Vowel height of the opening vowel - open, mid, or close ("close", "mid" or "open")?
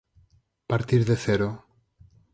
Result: open